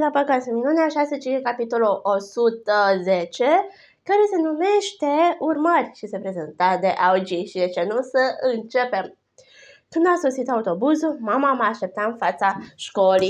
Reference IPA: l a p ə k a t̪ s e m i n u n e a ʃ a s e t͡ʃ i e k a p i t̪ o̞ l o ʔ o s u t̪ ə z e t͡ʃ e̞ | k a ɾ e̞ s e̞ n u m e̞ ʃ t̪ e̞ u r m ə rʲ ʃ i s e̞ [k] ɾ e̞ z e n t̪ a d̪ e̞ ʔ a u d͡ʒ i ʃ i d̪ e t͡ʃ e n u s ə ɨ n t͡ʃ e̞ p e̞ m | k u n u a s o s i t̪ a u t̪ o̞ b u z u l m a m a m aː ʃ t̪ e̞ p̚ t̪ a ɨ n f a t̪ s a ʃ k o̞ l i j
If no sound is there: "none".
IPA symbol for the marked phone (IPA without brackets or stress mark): p